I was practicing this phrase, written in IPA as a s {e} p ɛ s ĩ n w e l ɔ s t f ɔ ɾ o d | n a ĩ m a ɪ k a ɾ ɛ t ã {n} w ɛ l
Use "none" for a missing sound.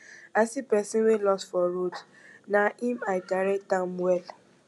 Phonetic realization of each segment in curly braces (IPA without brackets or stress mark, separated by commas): i, m